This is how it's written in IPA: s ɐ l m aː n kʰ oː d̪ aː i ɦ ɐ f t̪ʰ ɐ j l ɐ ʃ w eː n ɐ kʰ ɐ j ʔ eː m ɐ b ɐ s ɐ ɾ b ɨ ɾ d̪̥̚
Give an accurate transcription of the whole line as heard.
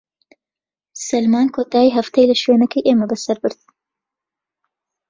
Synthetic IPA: s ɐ l m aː n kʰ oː t̪ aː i ɦ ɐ f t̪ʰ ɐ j l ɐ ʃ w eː n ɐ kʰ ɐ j ʔ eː m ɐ b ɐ s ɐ ɾ b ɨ ɾ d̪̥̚